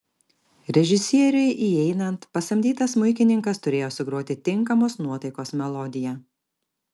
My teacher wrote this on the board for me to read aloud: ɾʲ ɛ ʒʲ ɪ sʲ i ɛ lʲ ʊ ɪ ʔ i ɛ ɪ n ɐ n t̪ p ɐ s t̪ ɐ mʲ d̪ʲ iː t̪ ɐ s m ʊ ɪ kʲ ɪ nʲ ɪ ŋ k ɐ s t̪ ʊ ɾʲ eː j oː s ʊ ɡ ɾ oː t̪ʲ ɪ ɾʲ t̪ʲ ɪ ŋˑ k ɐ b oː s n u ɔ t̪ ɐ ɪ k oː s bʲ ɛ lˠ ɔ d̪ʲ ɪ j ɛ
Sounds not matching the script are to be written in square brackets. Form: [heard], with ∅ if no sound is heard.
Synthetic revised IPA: ɾʲ ɛ ʒʲ ɪ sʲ i ɛ [ɾʲ] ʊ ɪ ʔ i ɛ ɪ n ɐ n t̪ p ɐ s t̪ ɐ mʲ d̪ʲ iː t̪ ɐ s m ʊ ɪ kʲ ɪ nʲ ɪ ŋ k ɐ s t̪ ʊ ɾʲ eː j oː s ʊ ɡ ɾ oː t̪ʲ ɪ [∅] t̪ʲ ɪ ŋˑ k ɐ [m] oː s n u ɔ t̪ ɐ ɪ k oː s [mʲ] ɛ lˠ ɔ d̪ʲ ɪ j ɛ